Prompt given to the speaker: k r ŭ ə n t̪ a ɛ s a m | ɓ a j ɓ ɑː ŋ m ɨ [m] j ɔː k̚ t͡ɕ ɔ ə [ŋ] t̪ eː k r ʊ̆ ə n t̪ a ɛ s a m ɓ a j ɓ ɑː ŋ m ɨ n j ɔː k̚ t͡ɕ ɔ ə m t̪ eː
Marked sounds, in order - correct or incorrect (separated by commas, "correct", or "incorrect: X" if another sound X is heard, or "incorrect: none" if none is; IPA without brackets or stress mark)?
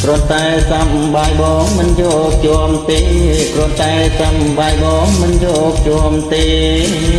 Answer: incorrect: n, incorrect: m